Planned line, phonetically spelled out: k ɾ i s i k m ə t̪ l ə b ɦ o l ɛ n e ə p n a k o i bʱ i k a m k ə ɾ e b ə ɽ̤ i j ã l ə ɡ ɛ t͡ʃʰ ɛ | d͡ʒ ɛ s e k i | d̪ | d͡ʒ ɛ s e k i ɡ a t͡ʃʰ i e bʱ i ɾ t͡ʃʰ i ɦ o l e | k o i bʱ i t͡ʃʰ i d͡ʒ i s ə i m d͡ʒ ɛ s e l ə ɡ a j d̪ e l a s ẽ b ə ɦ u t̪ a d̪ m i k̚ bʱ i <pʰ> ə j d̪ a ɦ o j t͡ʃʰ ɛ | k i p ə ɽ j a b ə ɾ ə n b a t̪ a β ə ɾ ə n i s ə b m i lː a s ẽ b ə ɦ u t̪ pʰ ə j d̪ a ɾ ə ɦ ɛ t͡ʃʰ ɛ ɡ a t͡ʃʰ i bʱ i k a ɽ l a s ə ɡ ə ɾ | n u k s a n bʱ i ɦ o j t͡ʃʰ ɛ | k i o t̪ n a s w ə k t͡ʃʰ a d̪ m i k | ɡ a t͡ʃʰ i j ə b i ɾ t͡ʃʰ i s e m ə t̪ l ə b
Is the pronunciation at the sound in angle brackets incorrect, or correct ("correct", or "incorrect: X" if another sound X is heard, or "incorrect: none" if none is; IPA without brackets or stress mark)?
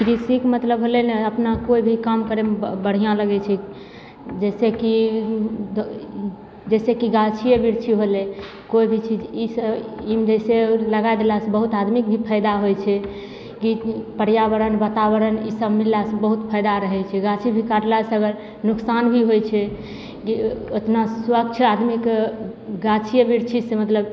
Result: correct